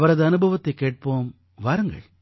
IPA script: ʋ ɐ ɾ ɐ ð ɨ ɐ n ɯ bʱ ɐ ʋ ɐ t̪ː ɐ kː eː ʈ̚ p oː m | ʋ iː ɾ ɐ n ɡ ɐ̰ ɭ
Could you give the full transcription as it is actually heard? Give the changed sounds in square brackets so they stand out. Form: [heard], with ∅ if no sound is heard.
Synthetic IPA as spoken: ʋ ɐ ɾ ɐ ð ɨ ɐ n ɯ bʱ ɐ ʋ ɐ t̪ː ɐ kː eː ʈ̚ p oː m | ʋ [aː] ɾ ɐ [ŋ] ɡ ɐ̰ ɭ